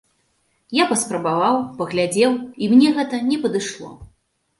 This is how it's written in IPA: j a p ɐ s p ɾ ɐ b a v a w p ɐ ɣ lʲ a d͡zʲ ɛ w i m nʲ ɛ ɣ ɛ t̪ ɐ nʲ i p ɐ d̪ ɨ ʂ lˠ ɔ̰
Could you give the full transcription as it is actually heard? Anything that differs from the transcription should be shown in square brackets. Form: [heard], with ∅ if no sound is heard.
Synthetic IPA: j a p ɐ s p ɾ ɐ b a v a w p ɐ ɣ lʲ a d͡zʲ ɛ w i m nʲ ɛ ɣ ɛ t̪ ɐ nʲ [ɛ] p ɐ d̪ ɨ ʂ lˠ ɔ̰